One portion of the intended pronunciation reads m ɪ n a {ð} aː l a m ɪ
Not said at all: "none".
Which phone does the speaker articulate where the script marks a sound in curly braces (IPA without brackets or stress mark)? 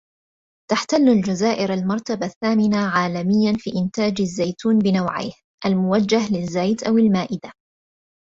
ʕ